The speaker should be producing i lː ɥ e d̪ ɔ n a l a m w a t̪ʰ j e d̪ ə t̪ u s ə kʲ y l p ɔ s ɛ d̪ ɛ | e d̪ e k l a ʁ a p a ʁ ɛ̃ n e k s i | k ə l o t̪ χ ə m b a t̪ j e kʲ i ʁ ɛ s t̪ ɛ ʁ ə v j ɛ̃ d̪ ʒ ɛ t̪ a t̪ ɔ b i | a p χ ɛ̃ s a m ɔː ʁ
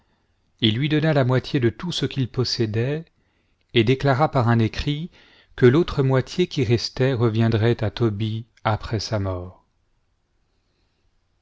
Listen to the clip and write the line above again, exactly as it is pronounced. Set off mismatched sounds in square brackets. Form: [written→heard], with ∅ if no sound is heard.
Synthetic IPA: i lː ɥ [e→i] d̪ ɔ n a l a m w a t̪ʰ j e d̪ ə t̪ u s ə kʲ [y→i] l p ɔ s ɛ d̪ ɛ | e d̪ e k l a ʁ a p a ʁ ɛ̃ n e k [s→χ] i | k ə l o t̪ χ ə m [b→w] a t̪ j e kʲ i ʁ ɛ s t̪ ɛ ʁ ə v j ɛ̃ d̪ [ʒ→ʁ] ɛ t̪ a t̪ ɔ b i | a p χ [ɛ̃→ɛ] s a m ɔː ʁ